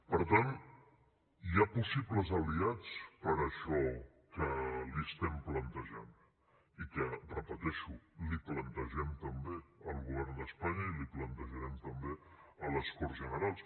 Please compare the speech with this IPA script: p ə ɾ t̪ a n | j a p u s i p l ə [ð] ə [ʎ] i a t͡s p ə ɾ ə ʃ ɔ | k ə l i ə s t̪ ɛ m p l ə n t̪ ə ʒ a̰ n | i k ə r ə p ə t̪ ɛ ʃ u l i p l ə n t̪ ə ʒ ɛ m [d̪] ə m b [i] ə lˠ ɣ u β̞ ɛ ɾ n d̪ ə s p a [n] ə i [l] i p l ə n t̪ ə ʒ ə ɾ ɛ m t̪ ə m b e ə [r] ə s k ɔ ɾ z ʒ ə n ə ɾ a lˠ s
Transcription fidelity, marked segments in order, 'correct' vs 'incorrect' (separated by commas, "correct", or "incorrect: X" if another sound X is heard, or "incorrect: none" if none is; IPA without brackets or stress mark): incorrect: z, incorrect: l, incorrect: t̪, incorrect: e, incorrect: ɲ, correct, incorrect: l